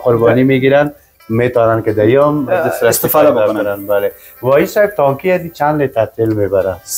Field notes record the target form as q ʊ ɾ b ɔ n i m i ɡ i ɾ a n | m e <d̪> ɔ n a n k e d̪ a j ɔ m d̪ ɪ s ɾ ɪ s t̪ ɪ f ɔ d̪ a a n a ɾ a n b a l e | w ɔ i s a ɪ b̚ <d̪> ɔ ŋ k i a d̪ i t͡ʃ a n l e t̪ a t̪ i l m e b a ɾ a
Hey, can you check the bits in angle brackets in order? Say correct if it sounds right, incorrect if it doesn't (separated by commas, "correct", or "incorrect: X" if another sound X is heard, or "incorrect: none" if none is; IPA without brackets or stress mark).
incorrect: t̪, incorrect: t̪